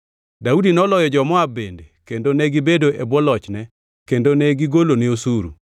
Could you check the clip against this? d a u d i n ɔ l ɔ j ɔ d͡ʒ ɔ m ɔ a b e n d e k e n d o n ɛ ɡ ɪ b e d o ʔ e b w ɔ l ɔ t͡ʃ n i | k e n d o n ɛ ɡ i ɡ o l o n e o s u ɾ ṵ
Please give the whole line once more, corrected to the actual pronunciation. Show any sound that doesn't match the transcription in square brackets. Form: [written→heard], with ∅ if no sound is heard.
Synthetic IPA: d a u d i n ɔ l ɔ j ɔ d͡ʒ ɔ m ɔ a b e n d e k e n d o n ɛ ɡ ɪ b e d o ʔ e b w ɔ l ɔ t͡ʃ n [i→ɛ] | k e n d o n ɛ ɡ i ɡ o l o n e o s u ɾ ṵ